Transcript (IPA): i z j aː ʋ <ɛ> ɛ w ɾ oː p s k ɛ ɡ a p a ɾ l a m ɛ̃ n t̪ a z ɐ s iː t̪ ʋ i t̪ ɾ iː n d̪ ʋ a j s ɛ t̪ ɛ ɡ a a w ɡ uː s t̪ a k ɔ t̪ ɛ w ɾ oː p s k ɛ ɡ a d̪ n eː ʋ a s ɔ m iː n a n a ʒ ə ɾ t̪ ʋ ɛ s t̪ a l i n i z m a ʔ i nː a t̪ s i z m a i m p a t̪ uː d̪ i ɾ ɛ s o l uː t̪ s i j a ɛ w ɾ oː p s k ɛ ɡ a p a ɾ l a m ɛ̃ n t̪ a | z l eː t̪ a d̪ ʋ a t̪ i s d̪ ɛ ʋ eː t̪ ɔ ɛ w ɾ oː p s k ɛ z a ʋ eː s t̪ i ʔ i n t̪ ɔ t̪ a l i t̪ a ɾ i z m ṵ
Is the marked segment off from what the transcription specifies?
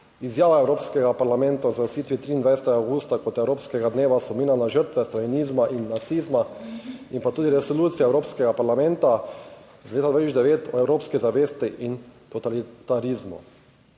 yes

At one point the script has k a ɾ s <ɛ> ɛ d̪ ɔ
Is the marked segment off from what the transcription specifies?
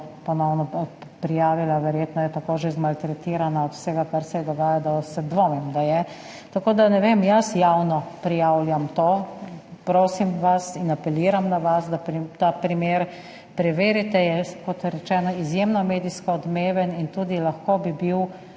no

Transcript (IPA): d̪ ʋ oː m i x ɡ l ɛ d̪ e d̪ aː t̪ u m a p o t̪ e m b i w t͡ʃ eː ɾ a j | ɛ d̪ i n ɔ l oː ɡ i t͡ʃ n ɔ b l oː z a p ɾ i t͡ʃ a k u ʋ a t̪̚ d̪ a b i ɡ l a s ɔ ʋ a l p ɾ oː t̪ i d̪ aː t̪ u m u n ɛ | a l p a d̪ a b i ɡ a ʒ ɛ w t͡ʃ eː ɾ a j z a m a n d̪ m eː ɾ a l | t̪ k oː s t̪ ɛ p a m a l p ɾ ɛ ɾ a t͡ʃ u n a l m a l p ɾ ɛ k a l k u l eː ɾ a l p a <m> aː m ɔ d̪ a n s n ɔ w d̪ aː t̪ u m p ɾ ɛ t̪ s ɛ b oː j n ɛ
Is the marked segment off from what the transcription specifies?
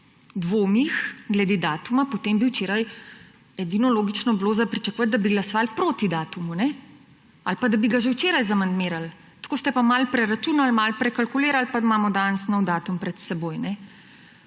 no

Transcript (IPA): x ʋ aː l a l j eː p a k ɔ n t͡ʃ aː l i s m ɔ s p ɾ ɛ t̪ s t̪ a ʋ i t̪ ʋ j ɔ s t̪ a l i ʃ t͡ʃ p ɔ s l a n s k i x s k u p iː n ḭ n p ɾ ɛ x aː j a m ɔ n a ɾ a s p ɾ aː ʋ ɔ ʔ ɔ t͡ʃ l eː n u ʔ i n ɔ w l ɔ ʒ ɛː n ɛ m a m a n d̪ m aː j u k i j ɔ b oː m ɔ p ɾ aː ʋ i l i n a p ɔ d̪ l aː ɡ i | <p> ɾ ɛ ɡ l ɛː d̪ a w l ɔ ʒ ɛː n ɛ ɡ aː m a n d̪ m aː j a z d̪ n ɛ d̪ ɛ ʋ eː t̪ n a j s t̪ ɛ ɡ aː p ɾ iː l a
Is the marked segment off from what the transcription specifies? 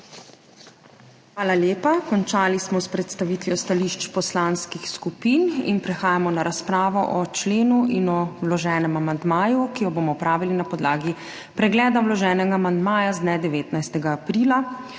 no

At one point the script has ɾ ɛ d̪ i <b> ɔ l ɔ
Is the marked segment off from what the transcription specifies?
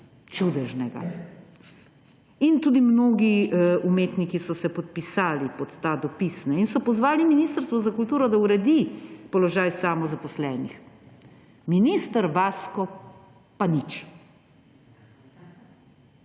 yes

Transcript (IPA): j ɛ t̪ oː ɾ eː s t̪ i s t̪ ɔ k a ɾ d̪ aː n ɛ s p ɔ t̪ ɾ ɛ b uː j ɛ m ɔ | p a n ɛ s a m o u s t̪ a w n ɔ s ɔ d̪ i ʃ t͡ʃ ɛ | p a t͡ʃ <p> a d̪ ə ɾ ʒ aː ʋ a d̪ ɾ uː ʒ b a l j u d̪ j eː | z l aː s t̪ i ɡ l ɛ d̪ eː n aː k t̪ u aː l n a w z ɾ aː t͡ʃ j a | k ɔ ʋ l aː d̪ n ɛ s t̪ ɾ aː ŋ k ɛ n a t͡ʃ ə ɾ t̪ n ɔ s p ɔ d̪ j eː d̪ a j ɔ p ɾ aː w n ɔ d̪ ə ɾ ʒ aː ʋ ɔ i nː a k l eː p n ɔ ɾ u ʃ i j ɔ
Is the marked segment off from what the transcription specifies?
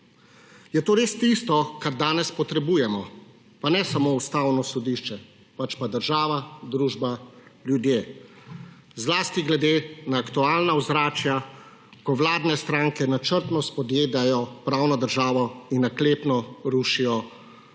no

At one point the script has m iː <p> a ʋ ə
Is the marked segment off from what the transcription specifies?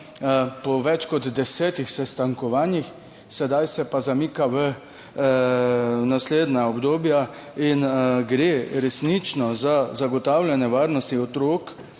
yes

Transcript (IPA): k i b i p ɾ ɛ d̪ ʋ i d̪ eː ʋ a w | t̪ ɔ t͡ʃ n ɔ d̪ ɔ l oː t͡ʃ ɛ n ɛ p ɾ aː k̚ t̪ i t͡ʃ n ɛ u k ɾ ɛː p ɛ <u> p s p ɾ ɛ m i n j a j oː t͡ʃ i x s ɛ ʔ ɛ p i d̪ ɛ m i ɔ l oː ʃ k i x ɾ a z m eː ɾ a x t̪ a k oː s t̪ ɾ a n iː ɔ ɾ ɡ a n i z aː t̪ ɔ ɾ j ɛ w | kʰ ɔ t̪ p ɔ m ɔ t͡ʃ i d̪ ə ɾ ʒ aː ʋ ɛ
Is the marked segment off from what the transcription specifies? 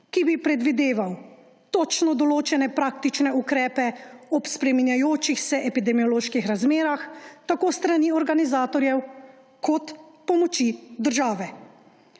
yes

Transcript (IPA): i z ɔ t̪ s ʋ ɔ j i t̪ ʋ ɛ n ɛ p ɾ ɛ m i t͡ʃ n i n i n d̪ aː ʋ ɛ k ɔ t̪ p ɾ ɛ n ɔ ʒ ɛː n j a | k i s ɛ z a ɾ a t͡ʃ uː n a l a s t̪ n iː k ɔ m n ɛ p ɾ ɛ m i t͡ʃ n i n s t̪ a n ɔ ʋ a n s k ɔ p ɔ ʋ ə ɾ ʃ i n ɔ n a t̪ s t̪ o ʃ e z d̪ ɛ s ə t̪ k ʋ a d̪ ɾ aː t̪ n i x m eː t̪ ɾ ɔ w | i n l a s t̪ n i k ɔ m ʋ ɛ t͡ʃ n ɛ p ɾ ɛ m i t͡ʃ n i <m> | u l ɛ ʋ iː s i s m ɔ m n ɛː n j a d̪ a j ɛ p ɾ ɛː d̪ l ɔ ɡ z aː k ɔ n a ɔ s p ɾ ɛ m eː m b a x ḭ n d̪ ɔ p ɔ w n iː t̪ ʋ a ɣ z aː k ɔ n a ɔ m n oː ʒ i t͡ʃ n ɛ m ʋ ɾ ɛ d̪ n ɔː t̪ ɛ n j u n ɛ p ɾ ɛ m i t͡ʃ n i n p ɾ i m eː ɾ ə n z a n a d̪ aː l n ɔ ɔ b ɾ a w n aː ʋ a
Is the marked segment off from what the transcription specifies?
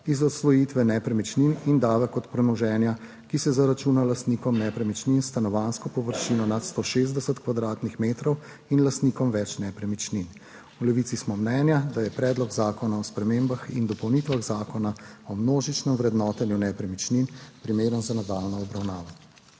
yes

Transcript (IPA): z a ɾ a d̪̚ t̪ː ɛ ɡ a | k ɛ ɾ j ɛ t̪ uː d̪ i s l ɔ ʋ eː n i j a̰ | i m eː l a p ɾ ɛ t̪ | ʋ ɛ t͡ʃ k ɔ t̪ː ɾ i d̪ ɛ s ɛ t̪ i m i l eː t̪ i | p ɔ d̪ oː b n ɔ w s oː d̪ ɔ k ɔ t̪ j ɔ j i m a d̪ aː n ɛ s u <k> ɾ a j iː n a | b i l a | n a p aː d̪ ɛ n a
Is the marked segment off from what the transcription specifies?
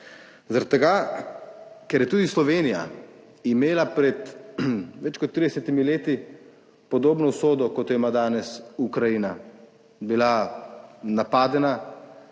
no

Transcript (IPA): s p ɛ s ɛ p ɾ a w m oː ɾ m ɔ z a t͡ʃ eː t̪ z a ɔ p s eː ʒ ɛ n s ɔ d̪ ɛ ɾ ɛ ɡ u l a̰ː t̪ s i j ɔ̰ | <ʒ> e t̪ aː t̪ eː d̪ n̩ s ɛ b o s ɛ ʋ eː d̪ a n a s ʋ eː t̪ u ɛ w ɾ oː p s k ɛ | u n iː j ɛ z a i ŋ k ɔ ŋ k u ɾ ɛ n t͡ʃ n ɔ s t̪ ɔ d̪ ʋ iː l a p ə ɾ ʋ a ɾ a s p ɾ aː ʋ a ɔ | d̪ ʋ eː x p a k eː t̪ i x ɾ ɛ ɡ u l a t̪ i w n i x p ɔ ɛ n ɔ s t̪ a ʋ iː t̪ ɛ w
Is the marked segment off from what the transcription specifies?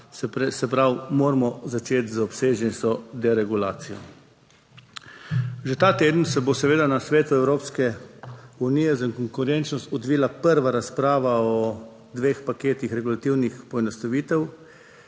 no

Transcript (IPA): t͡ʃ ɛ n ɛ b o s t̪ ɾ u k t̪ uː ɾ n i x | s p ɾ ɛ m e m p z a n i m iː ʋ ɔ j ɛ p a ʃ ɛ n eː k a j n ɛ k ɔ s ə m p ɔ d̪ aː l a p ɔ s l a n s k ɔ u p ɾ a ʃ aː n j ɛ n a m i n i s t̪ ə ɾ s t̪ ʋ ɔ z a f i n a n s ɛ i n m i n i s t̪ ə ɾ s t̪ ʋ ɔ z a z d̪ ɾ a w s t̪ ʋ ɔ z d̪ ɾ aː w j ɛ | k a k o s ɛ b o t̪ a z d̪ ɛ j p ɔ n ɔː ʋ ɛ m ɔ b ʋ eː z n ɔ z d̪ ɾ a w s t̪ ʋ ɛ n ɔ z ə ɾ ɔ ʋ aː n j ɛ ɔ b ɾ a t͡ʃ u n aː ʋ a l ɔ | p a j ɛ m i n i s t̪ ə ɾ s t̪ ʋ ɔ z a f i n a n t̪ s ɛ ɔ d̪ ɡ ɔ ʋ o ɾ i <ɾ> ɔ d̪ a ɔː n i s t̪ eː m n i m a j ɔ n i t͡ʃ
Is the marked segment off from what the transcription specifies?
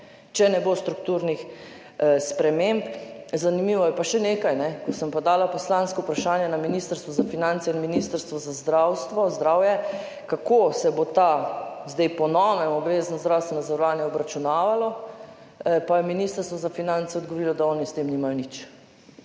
yes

